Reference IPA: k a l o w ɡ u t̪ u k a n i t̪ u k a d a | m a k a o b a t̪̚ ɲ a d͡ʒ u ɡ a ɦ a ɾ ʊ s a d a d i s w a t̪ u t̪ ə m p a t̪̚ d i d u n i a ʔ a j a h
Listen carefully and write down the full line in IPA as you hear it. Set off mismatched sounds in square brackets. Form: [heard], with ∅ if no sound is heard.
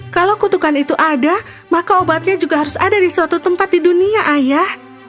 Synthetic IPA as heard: k a l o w [k] u t̪ u k a n i t̪ u [ʔ] a d a | m a k a o b a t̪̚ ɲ a d͡ʒ u ɡ a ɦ a ɾ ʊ s a d a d i s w a t̪ u t̪ ə m p a t̪̚ d i d u n i a ʔ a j a h